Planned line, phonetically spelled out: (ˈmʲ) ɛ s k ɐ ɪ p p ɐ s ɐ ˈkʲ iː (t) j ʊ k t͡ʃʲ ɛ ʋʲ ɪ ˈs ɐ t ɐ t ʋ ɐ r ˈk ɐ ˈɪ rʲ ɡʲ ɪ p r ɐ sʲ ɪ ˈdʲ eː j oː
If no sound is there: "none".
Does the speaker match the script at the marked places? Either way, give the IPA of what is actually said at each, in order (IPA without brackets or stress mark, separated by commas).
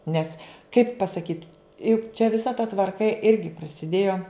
nʲ, t